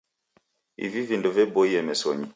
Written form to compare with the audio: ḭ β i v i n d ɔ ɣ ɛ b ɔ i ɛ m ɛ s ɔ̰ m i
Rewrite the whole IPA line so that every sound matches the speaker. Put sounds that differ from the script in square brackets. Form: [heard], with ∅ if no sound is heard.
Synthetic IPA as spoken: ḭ [v] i v i n d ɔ [v] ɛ b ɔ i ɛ m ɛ s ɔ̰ [ɲ] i